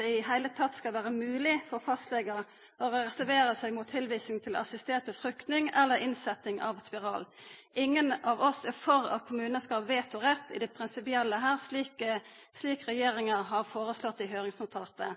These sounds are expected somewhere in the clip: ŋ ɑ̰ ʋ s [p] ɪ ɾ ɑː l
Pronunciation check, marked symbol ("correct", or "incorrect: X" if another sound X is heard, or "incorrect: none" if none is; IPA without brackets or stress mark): correct